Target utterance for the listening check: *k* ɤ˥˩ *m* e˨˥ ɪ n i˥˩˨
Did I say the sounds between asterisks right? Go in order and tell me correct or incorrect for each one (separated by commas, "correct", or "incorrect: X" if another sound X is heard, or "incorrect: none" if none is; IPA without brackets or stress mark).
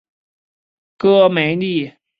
correct, correct